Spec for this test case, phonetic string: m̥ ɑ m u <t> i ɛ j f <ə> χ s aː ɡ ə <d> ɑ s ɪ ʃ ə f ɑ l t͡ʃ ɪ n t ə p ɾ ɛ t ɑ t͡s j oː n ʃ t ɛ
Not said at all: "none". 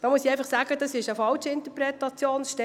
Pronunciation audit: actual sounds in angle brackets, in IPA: s, ɑ, d

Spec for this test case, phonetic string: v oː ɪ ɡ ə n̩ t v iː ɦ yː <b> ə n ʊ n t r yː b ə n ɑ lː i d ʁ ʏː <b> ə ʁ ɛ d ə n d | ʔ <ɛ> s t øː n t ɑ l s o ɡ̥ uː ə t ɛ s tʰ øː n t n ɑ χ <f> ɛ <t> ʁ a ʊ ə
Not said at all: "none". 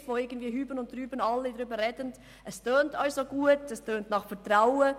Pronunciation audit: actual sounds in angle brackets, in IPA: b, b, ɛ, f, t

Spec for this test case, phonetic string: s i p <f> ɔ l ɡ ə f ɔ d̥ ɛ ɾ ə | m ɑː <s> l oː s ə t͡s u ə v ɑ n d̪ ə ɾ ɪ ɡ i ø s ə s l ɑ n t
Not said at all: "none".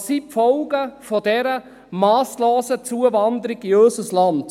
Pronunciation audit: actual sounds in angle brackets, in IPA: f, s

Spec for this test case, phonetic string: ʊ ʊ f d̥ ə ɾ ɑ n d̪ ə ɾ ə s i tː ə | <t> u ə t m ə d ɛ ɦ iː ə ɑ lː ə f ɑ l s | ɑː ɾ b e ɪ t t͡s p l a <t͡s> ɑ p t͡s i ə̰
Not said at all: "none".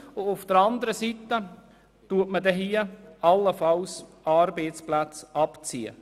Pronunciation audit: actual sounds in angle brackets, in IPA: t, t͡s

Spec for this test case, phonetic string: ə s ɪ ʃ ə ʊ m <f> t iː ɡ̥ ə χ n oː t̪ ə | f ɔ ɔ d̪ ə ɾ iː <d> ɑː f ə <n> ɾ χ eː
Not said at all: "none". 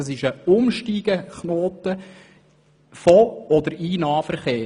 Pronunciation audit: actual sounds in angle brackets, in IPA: ʃ, n, none

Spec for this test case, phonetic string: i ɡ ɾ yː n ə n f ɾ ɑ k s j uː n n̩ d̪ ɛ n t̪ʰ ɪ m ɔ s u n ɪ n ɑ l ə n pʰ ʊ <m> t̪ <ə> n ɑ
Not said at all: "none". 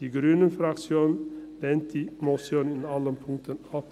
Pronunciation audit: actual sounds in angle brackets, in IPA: ŋ, ə

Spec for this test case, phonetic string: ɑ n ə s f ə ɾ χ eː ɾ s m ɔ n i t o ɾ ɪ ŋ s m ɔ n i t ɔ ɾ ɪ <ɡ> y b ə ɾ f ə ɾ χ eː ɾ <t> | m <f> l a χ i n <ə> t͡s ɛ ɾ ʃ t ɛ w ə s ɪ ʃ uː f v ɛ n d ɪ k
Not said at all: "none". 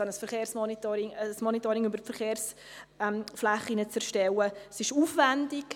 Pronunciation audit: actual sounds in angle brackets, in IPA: ŋ, s, f, ə

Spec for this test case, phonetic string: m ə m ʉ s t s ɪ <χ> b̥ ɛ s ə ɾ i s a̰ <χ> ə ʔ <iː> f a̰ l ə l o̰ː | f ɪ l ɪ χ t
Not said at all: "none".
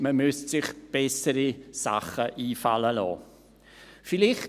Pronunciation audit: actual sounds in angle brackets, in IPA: χ, χ, iː

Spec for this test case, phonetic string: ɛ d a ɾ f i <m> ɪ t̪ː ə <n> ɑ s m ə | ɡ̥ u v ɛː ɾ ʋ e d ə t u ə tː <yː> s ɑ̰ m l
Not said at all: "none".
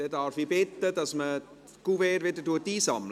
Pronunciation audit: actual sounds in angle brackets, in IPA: b, d, iː

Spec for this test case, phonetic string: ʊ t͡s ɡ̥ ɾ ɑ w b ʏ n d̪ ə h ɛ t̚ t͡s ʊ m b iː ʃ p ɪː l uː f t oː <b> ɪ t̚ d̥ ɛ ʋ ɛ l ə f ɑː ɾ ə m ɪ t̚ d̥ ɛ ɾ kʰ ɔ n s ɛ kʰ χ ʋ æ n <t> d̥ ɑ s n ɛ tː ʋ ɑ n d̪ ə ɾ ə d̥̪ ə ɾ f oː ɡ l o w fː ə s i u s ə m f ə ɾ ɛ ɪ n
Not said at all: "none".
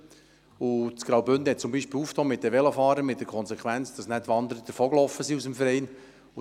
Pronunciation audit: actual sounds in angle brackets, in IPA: m, t͡s

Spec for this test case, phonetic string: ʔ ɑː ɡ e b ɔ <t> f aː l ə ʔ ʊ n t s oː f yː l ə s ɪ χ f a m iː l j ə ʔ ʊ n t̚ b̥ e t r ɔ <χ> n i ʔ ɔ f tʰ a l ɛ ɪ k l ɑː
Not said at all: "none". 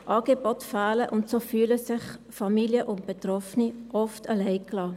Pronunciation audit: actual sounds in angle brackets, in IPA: t, f

